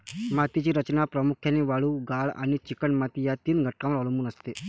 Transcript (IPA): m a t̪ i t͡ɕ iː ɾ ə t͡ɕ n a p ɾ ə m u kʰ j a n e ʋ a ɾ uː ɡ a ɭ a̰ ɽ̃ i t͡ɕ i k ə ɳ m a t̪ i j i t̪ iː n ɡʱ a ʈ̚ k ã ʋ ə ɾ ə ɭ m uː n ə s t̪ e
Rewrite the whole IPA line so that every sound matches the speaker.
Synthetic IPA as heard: m a t̪ i t͡ɕ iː ɾ ə t͡ɕ n a p ɾ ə m u kʰ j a n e ʋ a ɭ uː ɡ a ɭ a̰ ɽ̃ i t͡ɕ i k ə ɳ m a t̪ i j a t̪ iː n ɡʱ ə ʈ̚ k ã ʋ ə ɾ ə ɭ m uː n ə s t̪ e